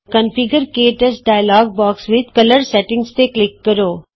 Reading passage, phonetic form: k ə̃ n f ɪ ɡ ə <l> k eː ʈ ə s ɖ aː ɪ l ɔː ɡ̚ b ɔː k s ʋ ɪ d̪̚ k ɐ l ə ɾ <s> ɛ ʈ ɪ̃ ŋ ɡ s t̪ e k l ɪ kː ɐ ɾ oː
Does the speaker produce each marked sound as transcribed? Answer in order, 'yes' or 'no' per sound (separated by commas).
no, yes